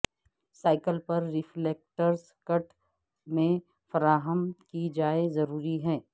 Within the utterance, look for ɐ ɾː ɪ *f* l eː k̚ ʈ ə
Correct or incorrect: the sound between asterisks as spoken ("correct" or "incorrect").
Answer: correct